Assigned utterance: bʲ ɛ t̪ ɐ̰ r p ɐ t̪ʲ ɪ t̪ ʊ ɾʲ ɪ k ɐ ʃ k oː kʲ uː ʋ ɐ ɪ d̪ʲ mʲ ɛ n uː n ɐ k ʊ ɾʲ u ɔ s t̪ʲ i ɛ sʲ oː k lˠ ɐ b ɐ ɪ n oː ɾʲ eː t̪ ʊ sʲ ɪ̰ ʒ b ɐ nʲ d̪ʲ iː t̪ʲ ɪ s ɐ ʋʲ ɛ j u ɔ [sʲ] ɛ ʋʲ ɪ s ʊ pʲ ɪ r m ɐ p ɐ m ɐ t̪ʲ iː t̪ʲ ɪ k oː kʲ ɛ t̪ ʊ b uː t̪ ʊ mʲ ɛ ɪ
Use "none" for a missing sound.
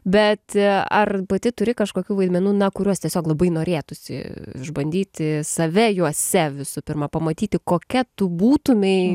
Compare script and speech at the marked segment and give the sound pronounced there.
sʲ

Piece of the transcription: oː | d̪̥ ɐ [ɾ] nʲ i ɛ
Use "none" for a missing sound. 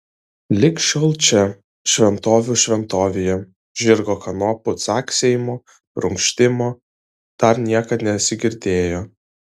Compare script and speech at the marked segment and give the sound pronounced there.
ɾ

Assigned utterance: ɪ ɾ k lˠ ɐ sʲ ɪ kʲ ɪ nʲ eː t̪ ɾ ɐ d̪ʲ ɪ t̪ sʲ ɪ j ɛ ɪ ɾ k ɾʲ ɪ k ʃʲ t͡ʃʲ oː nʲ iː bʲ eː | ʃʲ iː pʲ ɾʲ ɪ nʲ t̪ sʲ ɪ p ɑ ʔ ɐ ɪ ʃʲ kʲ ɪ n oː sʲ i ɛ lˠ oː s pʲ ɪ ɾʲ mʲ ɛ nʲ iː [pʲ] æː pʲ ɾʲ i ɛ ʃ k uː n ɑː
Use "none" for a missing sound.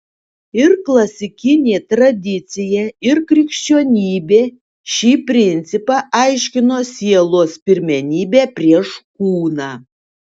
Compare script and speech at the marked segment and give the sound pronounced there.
bʲ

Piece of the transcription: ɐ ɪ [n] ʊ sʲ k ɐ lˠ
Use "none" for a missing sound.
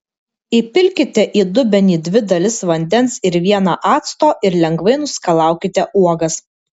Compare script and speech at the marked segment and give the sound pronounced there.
n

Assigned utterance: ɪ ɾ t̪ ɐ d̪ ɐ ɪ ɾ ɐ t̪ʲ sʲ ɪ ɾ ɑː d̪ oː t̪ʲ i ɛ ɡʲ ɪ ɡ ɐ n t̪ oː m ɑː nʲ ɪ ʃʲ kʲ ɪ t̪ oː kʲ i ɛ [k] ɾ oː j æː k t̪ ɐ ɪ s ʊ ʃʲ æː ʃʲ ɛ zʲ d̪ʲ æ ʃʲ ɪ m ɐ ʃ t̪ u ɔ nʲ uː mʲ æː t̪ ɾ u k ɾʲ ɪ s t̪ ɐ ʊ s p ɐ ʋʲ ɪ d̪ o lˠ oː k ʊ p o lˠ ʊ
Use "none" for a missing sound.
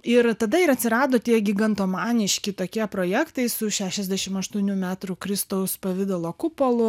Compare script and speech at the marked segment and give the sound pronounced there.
p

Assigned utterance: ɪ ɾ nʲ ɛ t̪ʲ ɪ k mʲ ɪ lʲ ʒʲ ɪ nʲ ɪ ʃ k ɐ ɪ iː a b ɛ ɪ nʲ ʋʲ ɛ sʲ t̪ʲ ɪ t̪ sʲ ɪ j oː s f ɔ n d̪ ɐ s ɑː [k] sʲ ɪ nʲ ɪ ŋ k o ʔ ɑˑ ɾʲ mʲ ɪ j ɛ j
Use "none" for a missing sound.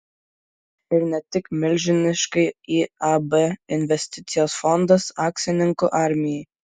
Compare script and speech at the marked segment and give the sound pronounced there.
k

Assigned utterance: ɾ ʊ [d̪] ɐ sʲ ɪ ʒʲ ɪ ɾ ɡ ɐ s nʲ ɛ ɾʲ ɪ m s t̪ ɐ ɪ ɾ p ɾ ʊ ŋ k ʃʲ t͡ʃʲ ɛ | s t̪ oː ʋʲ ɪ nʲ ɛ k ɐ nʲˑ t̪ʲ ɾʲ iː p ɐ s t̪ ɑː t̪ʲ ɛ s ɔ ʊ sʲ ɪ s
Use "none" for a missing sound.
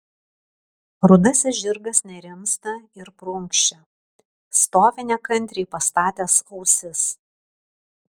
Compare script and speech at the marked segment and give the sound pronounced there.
d̪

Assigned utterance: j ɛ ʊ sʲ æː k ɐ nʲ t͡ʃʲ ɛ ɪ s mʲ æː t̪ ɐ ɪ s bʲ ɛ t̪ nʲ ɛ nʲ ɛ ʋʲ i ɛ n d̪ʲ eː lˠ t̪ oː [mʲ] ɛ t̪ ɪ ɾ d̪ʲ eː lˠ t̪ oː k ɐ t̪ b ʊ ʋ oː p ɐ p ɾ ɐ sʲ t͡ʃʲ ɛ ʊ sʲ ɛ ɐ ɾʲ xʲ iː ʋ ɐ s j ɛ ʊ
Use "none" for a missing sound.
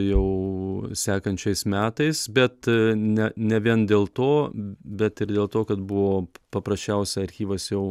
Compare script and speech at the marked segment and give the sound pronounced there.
bʲ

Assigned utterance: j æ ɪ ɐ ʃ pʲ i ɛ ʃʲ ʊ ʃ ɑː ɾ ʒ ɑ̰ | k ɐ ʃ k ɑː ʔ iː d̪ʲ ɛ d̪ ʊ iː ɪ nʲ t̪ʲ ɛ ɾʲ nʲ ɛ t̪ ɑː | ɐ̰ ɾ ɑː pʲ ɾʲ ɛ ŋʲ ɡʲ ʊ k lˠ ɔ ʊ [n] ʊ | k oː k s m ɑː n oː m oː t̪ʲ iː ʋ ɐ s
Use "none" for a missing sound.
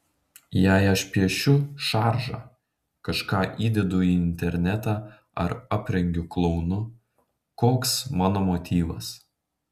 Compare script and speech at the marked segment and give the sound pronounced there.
n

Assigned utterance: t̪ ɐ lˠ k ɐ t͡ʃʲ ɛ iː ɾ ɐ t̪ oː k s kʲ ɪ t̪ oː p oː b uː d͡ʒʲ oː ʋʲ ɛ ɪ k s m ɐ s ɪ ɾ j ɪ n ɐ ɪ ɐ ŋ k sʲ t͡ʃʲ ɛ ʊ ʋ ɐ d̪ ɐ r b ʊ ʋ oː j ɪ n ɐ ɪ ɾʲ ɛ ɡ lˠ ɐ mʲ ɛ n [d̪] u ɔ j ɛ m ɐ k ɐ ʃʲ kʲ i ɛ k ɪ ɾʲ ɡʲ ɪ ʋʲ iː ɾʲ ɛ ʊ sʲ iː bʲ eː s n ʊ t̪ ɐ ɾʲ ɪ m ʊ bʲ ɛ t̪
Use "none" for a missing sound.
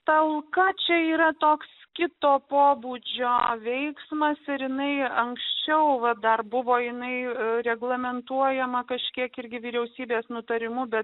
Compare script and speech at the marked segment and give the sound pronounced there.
t̪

